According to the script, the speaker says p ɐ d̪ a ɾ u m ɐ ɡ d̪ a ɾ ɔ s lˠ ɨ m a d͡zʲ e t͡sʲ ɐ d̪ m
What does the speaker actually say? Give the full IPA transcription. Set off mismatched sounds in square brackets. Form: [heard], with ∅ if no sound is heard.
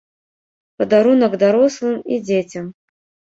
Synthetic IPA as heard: p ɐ d̪ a ɾ u [n] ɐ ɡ d̪ a ɾ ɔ s lˠ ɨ m [i] d͡zʲ e t͡sʲ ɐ [∅] m